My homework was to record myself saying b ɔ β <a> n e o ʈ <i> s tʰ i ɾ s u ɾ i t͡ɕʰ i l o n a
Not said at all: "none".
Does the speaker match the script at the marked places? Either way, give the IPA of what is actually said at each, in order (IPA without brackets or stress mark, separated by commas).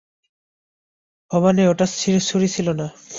a, a